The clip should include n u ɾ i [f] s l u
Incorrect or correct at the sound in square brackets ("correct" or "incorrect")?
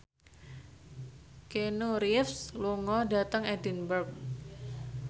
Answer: correct